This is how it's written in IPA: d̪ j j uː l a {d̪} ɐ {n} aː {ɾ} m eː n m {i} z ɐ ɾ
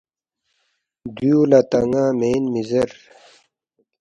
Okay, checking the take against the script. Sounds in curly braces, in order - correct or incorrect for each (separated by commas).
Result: incorrect, incorrect, incorrect, correct